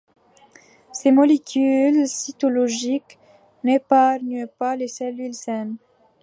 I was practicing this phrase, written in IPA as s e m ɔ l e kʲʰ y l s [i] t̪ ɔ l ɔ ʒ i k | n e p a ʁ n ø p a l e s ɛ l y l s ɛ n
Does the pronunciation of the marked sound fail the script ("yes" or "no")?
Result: no